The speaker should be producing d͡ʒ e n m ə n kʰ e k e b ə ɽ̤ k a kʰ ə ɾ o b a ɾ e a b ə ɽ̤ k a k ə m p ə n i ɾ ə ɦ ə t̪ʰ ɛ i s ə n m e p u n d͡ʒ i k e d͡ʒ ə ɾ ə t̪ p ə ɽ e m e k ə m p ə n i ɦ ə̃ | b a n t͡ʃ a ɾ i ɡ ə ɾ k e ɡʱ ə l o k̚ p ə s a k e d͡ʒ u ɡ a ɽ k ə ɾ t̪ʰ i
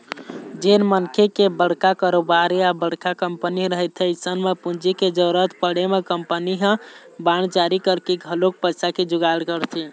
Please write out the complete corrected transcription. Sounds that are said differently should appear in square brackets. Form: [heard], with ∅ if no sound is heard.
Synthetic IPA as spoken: d͡ʒ e n m ə n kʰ e k e b ə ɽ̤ k a [k] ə ɾ o b a ɾ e a b ə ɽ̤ k a k ə m p ə n i ɾ ə ɦ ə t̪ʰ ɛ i s ə n m e p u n d͡ʒ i k e d͡ʒ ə ɾ ə t̪ p ə ɽ e m e k ə m p ə n i ɦ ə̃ | b a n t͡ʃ a ɾ i [k] ə ɾ k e ɡʱ ə l o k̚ p ə s a k e d͡ʒ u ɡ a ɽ k ə ɾ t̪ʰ i